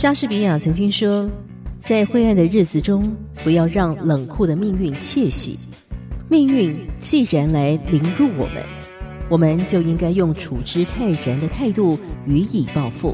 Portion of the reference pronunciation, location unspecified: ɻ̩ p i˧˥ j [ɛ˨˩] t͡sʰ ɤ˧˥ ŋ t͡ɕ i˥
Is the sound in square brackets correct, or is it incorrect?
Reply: incorrect